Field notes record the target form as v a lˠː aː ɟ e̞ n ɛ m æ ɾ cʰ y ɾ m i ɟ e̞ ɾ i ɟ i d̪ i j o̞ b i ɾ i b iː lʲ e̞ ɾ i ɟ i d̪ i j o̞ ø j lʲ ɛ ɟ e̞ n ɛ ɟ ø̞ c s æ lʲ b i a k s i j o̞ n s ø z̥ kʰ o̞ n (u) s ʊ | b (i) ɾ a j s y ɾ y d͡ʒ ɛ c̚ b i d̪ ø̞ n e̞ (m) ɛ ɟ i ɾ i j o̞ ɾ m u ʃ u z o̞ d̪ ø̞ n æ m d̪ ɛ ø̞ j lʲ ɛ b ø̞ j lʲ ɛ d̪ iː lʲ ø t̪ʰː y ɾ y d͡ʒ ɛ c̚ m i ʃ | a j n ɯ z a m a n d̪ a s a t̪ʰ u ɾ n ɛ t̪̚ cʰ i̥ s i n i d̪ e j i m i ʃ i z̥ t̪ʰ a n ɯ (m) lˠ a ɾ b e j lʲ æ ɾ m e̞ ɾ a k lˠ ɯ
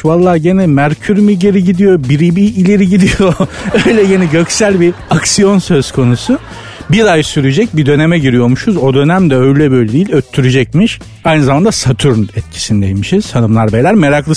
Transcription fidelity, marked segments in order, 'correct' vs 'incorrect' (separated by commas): correct, correct, correct, correct